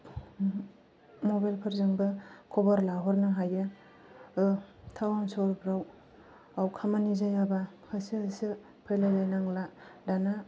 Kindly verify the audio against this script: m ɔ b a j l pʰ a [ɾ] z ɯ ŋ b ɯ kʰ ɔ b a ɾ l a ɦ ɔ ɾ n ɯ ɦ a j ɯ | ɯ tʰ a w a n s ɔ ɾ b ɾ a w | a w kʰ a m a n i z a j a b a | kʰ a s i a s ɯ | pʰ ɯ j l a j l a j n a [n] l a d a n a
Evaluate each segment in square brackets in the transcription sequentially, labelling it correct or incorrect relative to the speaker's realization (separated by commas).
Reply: correct, incorrect